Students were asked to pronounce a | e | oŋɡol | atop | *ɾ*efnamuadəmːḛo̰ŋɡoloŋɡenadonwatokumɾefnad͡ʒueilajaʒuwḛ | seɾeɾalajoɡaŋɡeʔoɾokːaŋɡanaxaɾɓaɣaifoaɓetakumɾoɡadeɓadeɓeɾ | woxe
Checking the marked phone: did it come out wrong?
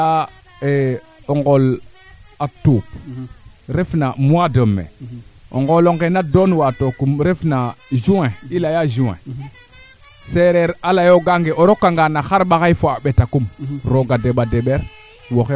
no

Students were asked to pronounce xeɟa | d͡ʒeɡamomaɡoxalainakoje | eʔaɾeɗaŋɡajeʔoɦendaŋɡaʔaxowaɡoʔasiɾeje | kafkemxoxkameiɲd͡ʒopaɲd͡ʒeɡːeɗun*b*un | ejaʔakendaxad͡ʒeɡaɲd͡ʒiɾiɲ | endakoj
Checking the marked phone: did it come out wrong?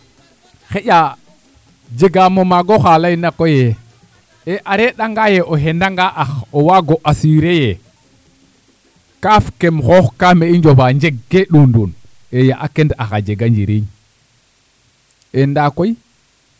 yes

